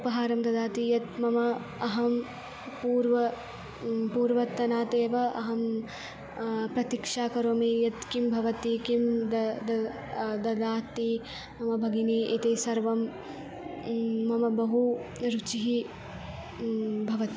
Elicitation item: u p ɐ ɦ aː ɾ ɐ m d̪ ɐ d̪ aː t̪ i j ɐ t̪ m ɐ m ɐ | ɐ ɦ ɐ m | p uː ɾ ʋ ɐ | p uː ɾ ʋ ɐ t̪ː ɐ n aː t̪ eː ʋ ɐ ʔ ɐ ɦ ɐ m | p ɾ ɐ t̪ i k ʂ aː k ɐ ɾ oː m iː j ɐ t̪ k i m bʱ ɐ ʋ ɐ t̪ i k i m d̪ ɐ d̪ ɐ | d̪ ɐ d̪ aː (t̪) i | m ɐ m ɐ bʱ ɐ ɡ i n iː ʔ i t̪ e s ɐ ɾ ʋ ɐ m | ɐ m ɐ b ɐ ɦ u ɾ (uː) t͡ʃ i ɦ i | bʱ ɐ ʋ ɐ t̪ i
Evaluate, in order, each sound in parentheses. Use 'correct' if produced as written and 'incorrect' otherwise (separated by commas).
correct, incorrect